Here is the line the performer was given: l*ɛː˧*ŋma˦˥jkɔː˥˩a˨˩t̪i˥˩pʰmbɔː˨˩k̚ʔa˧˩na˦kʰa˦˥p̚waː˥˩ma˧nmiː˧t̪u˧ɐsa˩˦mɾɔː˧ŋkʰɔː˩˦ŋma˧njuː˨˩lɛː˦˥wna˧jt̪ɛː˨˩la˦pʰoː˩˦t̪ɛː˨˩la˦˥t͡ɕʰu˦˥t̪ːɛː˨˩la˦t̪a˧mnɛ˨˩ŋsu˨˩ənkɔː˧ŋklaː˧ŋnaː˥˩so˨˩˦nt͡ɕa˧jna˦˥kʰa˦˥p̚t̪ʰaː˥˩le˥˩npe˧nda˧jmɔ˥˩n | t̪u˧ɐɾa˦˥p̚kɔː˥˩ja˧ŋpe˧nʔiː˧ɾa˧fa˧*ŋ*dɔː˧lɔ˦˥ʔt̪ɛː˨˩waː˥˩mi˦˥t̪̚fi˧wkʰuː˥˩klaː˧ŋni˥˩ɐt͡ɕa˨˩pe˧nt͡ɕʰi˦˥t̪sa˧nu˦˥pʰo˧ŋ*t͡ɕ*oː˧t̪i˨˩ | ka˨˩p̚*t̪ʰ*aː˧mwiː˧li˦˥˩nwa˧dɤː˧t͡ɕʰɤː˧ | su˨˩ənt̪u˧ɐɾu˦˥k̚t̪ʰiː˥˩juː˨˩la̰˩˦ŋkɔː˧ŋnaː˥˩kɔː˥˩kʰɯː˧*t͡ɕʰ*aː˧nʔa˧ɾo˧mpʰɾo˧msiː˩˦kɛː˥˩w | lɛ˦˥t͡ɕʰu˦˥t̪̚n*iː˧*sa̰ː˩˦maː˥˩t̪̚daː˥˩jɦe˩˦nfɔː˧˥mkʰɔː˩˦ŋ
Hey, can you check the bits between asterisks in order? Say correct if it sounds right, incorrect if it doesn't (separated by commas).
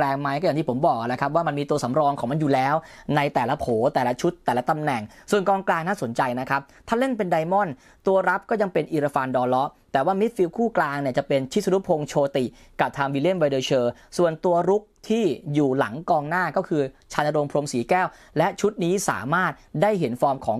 correct, incorrect, incorrect, correct, correct, incorrect